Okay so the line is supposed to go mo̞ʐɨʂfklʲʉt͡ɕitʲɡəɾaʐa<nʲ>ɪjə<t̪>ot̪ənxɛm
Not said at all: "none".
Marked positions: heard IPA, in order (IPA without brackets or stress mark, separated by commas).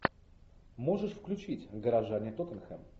nʲ, t̪